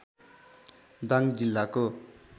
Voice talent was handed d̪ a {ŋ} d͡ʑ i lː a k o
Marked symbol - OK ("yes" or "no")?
yes